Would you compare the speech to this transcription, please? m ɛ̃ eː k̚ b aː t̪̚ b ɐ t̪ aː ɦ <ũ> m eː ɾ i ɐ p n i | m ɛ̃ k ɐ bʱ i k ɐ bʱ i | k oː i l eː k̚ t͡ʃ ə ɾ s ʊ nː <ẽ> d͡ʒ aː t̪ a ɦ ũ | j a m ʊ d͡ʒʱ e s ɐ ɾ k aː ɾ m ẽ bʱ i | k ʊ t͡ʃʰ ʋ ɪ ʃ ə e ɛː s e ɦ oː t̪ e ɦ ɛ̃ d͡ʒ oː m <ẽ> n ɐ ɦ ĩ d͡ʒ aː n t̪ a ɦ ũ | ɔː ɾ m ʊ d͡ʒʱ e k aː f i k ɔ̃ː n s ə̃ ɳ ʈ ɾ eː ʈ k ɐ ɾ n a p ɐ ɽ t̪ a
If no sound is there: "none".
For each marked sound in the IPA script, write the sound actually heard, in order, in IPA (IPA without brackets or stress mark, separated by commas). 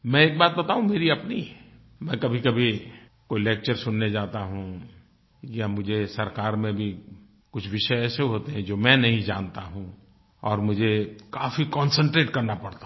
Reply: ũ, e, ɛ̃